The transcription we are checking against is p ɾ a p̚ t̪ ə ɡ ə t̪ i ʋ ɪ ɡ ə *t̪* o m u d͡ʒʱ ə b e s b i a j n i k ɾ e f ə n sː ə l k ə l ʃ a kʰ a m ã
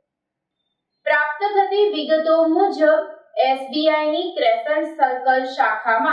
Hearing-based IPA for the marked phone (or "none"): t̪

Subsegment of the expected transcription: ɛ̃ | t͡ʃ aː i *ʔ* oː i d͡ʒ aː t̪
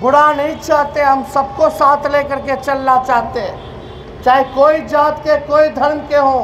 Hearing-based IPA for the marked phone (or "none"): k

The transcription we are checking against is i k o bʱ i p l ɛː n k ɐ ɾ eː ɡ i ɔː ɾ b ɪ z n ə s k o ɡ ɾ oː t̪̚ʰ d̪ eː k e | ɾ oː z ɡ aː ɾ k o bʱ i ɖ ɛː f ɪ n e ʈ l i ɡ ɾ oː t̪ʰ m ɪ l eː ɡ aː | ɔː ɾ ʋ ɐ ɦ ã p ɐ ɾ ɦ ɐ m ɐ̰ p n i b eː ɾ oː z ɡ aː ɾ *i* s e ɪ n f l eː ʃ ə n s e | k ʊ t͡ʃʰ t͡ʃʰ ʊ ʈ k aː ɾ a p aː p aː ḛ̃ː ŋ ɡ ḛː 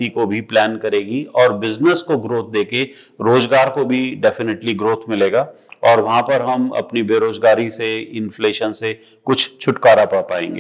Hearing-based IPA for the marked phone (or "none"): i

